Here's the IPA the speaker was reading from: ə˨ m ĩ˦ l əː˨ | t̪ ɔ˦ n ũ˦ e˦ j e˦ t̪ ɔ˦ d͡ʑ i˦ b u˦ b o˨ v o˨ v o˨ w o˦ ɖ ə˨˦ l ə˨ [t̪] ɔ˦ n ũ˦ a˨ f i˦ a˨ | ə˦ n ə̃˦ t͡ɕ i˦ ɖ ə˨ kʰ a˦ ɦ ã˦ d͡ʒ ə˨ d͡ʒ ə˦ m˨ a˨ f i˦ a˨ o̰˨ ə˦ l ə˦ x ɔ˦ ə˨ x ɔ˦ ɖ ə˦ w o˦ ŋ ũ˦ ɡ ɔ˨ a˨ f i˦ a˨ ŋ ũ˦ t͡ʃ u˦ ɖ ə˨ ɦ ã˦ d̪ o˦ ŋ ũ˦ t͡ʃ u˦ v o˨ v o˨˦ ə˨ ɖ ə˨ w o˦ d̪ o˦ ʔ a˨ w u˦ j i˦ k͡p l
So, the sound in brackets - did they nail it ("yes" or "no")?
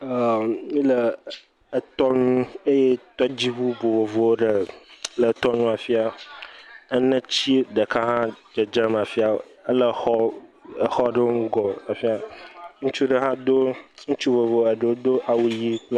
yes